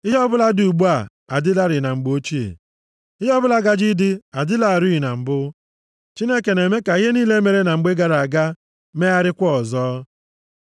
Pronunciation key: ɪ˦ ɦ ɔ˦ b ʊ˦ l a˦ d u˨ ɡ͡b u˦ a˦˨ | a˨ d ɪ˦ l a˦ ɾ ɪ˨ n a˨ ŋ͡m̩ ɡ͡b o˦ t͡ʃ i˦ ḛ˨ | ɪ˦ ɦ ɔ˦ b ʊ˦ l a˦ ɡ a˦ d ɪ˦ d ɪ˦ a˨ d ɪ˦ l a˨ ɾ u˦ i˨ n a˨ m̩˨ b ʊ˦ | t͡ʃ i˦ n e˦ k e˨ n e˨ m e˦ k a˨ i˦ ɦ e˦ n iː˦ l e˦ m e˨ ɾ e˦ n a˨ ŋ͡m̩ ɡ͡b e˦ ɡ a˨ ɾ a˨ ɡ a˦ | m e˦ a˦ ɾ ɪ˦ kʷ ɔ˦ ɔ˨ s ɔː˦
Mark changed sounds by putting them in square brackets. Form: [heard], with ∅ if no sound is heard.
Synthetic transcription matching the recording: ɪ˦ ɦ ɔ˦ b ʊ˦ l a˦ d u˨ ɡ͡b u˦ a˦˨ | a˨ d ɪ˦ l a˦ ɾ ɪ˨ n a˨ ŋ͡m̩ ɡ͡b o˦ t͡ʃ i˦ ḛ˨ | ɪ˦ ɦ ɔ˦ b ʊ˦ l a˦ ɡ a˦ [d͡ʒ] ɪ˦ d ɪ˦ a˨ d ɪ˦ l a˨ ɾ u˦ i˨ n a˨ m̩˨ b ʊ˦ | t͡ʃ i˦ n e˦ k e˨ n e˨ m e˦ k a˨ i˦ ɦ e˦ n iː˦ l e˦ m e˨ ɾ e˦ n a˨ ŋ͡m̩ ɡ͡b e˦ ɡ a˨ ɾ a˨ ɡ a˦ | m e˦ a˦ ɾ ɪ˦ kʷ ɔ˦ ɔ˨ [z] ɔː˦